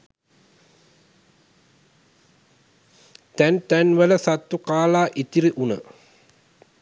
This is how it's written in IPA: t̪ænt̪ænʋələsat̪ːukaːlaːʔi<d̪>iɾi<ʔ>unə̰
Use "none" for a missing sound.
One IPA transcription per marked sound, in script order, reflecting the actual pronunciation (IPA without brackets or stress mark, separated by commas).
t̪, ʔ